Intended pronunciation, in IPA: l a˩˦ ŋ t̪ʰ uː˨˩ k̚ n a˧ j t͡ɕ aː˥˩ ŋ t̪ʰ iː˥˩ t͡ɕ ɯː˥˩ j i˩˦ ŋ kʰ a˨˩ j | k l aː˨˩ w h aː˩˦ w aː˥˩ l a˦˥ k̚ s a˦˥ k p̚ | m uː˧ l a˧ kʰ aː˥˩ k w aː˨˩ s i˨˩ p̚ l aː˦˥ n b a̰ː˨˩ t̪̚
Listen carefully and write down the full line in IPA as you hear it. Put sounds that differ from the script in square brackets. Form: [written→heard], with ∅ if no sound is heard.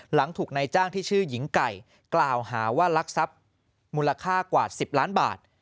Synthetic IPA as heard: l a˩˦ ŋ t̪ʰ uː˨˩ k̚ n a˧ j t͡ɕ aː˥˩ ŋ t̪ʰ iː˥˩ [t͡ɕ→t͡ɕʰ] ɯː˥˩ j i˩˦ ŋ [kʰ→k] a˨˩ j | k l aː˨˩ w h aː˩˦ w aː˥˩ l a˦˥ k̚ s a˦˥ [k→∅] p̚ | m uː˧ l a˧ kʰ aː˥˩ k w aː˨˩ s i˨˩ p̚ l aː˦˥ n b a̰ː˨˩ t̪̚